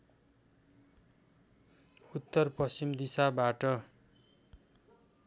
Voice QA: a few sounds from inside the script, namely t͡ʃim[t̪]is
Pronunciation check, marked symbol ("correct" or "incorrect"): incorrect